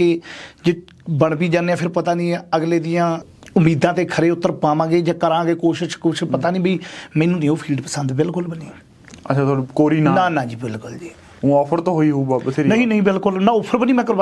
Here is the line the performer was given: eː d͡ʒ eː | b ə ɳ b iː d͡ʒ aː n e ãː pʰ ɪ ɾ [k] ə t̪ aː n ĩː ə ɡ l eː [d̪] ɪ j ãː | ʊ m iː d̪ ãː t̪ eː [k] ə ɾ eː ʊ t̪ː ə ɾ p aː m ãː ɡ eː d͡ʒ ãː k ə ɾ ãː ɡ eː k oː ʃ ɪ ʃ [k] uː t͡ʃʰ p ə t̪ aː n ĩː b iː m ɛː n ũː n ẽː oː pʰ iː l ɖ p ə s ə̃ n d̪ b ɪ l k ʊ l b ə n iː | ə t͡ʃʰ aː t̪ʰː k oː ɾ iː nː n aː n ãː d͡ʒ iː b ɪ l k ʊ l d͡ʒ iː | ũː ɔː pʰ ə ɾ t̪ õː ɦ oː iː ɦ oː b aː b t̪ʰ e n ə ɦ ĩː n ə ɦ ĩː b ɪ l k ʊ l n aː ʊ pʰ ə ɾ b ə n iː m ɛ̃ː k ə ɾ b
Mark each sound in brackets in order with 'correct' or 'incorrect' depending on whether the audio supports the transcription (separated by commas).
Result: incorrect, correct, incorrect, correct